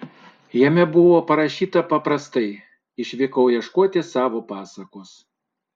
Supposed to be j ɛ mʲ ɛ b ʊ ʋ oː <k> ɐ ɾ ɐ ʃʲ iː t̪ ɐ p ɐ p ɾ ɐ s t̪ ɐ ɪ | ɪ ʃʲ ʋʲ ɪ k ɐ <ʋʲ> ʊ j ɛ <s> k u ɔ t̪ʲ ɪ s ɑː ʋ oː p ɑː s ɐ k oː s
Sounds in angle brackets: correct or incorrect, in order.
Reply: incorrect: p, incorrect: none, incorrect: ʃ

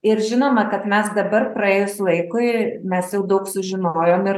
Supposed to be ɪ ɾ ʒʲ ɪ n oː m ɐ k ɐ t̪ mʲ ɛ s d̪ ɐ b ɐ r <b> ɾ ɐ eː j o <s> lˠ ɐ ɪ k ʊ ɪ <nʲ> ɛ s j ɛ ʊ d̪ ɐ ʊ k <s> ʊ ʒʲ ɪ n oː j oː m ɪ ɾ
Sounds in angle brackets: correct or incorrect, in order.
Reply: incorrect: p, correct, incorrect: mʲ, correct

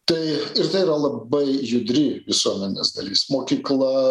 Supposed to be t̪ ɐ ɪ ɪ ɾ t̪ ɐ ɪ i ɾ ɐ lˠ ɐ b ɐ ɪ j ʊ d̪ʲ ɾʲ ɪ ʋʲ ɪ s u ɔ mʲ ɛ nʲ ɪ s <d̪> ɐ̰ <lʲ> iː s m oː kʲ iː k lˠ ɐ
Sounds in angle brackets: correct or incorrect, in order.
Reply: correct, correct

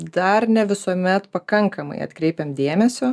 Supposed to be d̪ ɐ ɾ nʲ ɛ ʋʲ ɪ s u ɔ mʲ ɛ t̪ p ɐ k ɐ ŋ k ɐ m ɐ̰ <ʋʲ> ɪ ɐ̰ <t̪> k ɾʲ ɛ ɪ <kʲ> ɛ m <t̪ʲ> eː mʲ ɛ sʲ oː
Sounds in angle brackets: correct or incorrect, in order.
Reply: incorrect: none, correct, incorrect: pʲ, incorrect: d̪ʲ

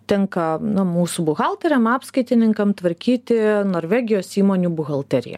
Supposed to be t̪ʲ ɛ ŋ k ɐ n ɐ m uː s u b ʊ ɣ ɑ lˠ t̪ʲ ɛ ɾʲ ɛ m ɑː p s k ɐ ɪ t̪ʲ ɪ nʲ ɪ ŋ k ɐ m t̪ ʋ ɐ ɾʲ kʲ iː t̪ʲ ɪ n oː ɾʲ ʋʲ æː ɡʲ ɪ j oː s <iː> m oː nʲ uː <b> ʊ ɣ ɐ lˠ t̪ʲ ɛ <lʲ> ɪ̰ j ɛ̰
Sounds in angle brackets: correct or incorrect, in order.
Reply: correct, correct, incorrect: ɾʲ

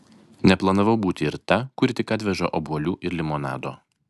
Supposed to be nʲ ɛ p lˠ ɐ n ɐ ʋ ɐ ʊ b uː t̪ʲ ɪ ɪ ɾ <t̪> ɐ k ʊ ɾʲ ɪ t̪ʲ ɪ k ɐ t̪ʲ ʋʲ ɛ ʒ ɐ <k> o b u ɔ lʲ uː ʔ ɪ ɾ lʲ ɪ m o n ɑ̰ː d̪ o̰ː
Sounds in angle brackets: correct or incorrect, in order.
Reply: correct, incorrect: ʔ

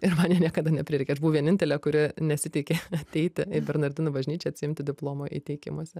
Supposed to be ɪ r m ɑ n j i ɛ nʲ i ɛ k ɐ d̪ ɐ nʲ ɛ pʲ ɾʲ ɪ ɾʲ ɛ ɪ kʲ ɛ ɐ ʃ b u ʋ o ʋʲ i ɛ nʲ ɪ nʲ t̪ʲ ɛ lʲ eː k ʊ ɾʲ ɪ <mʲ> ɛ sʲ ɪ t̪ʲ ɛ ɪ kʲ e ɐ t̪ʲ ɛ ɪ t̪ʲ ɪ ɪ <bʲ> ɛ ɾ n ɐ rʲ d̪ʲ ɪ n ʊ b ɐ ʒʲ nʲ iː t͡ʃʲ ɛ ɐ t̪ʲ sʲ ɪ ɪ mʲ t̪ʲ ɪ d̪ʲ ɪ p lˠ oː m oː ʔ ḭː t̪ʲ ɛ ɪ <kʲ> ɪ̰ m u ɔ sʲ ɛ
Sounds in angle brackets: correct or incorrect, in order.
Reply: incorrect: nʲ, correct, correct

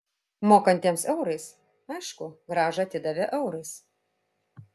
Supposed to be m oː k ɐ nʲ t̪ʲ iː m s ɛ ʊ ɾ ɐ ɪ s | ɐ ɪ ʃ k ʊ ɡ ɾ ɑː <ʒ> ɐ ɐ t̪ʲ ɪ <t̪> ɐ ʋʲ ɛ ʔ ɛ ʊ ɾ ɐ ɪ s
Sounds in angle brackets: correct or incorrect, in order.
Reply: correct, incorrect: d̪

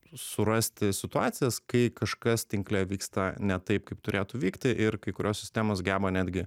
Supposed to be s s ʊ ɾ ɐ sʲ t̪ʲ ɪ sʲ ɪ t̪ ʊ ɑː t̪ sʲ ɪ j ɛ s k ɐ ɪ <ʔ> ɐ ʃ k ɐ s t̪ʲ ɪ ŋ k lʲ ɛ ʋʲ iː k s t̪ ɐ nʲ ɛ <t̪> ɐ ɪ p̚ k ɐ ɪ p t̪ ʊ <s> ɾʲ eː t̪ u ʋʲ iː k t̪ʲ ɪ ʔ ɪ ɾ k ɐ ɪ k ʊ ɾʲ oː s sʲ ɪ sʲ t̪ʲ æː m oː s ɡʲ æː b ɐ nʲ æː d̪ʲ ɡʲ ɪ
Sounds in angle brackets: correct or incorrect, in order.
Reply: incorrect: k, correct, incorrect: none

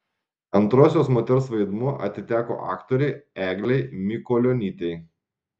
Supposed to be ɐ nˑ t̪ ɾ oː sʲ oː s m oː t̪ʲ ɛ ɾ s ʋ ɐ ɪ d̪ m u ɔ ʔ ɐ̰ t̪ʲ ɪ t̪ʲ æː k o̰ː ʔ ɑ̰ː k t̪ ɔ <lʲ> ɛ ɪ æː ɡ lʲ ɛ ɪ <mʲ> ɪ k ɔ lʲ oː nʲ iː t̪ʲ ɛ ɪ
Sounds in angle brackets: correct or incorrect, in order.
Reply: incorrect: ɾʲ, correct

